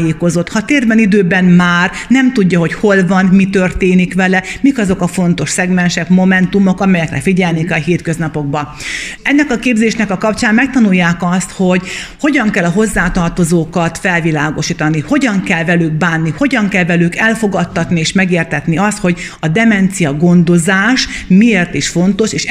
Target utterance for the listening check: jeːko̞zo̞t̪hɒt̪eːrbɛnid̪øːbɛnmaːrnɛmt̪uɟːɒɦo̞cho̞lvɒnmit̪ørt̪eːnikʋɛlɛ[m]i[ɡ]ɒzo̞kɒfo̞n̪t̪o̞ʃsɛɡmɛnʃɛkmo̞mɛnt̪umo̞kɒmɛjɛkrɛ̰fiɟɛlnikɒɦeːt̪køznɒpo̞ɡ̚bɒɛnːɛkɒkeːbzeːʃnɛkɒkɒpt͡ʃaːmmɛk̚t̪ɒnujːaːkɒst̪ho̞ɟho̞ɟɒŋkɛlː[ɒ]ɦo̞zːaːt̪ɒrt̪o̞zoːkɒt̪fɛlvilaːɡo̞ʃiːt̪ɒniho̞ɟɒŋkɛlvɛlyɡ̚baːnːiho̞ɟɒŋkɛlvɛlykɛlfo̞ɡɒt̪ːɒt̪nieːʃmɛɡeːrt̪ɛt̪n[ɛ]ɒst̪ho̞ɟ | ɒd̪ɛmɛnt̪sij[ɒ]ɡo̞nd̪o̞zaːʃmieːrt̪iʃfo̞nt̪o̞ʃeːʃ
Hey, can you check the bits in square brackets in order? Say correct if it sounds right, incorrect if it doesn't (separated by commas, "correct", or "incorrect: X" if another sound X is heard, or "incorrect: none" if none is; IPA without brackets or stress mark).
correct, incorrect: k, correct, incorrect: i, correct